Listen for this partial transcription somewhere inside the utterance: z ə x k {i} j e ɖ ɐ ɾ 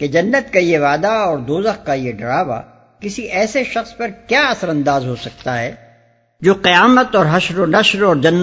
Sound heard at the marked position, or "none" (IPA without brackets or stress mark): a